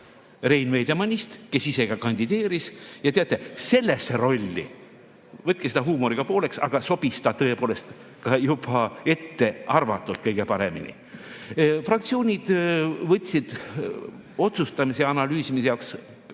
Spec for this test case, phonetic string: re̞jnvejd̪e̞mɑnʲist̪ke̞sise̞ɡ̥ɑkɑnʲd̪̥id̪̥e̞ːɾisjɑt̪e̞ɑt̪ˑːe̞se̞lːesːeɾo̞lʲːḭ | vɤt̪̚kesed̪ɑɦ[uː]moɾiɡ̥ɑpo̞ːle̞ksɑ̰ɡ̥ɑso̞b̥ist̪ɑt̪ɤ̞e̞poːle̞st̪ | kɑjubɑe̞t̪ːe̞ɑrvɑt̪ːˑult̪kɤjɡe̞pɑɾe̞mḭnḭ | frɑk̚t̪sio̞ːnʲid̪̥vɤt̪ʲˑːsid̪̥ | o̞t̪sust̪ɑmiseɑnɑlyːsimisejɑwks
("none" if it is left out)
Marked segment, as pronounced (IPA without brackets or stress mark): uː